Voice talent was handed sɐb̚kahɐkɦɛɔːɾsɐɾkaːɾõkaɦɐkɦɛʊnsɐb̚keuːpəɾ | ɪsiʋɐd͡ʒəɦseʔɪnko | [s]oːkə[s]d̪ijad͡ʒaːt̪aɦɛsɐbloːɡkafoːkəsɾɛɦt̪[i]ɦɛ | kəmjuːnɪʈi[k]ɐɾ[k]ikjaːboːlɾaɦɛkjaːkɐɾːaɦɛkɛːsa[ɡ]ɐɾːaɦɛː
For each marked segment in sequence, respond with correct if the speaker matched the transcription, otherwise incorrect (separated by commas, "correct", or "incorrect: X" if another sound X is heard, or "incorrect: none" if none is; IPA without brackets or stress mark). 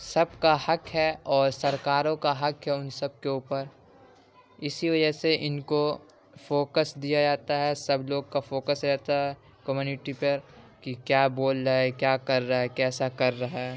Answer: incorrect: f, correct, incorrect: a, incorrect: p, correct, incorrect: k